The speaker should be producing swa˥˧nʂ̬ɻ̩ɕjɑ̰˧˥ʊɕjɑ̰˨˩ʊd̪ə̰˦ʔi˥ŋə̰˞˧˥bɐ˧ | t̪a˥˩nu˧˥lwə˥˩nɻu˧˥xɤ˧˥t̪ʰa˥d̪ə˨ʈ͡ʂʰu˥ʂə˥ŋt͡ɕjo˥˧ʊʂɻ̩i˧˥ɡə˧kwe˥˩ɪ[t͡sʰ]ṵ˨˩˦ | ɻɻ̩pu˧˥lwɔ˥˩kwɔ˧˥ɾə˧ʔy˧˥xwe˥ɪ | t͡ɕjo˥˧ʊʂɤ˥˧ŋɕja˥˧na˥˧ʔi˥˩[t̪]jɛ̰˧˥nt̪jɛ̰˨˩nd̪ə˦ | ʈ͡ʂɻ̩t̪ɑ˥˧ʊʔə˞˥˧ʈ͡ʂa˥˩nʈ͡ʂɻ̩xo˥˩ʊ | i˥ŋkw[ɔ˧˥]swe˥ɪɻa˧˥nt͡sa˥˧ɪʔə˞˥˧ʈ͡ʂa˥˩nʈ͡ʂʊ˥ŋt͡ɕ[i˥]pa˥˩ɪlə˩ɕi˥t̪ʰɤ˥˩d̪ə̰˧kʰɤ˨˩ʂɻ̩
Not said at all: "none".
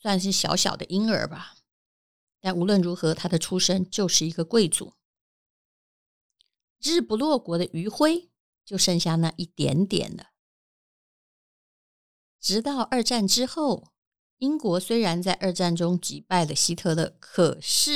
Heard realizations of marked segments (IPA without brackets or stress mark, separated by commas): t͡s, t̪, ɔ˧˥, i˨˩